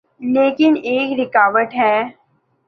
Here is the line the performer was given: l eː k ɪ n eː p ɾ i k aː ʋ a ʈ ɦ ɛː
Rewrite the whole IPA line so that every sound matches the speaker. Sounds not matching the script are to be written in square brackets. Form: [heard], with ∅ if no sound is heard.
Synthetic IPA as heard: l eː k ɪ n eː [k] ɾ [ɪ] k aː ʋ [ə] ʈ ɦ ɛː